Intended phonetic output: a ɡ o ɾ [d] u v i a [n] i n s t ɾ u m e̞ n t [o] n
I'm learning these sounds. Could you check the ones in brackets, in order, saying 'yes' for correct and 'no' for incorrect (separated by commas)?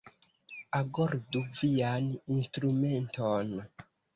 yes, yes, yes